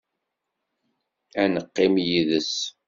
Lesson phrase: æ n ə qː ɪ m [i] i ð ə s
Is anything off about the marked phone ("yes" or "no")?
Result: yes